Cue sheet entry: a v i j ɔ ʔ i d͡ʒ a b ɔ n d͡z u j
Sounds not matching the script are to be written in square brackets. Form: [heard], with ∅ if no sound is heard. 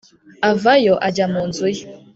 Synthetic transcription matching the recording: a v [a] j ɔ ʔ [a] d͡ʒ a [m] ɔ n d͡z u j